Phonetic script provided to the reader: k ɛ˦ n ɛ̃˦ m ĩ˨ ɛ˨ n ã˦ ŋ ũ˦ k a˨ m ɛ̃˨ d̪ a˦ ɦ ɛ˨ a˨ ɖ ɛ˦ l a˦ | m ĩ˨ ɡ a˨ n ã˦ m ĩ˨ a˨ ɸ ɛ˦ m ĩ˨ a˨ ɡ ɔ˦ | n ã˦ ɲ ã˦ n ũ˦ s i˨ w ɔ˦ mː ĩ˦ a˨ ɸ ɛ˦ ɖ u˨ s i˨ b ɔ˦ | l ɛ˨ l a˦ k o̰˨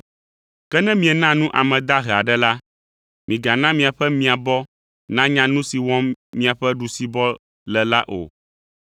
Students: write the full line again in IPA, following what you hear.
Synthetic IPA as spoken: k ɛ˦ n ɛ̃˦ m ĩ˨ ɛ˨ n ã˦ n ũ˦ ʔ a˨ m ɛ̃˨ d̪ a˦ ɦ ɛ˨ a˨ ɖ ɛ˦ l a˦ | m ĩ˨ ɡ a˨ n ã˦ m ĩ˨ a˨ ɸ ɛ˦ m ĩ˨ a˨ b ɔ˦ | n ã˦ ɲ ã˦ n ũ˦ s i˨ w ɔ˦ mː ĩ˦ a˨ ɸ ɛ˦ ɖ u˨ s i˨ b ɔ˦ | l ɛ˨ l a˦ ʔ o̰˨